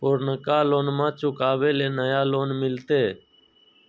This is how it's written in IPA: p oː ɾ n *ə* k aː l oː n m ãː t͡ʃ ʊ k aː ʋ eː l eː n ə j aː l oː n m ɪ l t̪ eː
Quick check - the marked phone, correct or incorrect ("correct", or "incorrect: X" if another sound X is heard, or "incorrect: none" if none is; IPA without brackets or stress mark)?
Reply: correct